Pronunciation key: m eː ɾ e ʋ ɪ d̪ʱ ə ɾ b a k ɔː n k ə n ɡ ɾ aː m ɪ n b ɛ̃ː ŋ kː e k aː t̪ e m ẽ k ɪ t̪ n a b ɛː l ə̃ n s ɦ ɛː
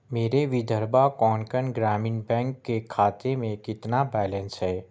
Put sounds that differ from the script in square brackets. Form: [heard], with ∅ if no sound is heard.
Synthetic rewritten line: m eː ɾ e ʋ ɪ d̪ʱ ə ɾ b a k ɔː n k ə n ɡ ɾ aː m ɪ n b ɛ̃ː ŋ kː e [kʰ] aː t̪ e m ẽ k ɪ t̪ n a b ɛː l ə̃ n s ɦ ɛː